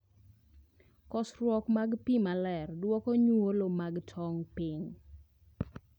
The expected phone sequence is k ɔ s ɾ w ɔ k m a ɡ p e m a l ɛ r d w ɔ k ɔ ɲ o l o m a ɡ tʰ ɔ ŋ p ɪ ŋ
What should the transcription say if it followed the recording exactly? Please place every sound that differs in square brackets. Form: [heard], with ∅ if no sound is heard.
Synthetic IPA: k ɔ s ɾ w ɔ k m a ɡ p [i] m a l ɛ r d w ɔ k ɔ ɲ o l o m a ɡ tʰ ɔ ŋ p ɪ ŋ